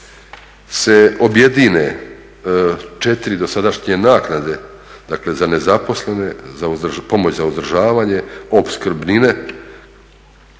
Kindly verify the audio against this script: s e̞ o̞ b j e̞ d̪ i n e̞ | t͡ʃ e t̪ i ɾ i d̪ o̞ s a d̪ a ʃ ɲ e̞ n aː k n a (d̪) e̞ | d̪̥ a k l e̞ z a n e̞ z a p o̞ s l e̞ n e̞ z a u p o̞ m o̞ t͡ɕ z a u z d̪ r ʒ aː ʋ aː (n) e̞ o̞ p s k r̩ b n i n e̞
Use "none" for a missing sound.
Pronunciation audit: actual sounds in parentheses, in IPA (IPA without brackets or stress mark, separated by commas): d̪, ɲ